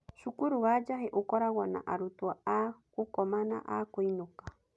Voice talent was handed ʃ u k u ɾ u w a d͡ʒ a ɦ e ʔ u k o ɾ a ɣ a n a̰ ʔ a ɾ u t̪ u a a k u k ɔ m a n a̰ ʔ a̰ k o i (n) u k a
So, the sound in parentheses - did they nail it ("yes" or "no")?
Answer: yes